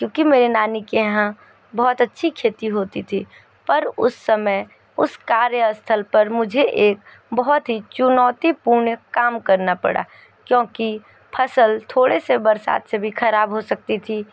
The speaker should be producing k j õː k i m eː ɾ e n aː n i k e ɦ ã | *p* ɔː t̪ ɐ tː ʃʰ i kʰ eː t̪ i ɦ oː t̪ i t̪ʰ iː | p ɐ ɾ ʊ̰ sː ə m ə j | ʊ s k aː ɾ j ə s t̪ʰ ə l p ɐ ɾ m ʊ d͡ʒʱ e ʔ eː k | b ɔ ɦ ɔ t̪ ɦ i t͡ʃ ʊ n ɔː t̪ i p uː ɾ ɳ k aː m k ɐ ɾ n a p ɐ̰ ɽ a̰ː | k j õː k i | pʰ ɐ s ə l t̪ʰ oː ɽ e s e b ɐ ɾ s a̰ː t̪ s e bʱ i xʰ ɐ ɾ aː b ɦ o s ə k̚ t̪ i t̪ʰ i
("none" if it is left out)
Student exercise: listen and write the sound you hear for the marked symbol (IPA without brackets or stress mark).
b